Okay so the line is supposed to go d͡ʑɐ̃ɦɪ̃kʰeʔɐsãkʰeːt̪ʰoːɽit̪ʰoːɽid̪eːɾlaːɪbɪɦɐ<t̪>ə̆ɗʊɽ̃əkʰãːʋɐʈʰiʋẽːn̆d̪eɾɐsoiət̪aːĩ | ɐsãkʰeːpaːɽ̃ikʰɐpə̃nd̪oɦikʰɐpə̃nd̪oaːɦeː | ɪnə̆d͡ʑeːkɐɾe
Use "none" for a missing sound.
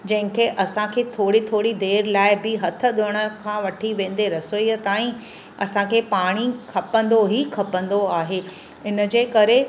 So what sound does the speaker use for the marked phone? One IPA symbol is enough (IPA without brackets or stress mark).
t̪ʰ